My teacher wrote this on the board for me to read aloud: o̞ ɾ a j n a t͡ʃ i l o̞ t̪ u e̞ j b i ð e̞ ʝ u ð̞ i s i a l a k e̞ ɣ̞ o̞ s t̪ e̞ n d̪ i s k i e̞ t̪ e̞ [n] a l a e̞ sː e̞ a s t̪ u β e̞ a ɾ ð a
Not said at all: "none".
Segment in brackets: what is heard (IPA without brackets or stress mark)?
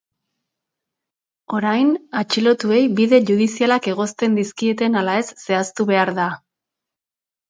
n